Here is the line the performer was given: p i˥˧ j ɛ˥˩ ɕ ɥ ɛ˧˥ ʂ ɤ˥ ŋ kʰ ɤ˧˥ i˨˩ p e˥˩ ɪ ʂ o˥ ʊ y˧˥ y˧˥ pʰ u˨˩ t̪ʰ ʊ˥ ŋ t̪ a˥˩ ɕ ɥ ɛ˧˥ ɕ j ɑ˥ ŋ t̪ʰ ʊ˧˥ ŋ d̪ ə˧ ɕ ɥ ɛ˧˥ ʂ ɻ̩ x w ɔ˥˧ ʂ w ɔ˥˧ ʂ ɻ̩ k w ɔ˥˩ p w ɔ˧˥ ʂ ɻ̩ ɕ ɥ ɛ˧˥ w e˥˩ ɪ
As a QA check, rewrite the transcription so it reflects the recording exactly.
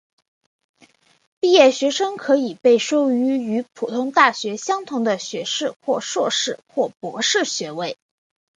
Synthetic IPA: p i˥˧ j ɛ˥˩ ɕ ɥ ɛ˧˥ ʂ ɤ˥ ŋ kʰ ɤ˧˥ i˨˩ p e˥˩ ɪ ʂ o˥ ʊ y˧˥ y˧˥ pʰ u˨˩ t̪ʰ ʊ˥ ŋ t̪ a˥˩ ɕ ɥ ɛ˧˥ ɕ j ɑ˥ ŋ t̪ʰ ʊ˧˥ ŋ d̪ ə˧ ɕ ɥ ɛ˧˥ ʂ ɻ̩ x w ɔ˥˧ ʂ w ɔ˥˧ ʂ ɻ̩ x w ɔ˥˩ p w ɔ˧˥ ʂ ɻ̩ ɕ ɥ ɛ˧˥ w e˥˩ ɪ